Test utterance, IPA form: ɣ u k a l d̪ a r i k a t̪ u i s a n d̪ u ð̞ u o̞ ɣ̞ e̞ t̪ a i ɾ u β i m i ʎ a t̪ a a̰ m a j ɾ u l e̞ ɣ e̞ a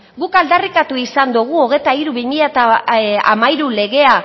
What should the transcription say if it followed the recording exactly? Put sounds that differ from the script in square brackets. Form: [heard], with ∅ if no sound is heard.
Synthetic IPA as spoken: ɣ u k a l d̪ a r i k a t̪ u i s a n d̪ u [ɣ̞] u o̞ ɣ̞ e̞ t̪ a i ɾ u β i m i ʎ a t̪ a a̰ m a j ɾ u l e̞ ɣ e̞ a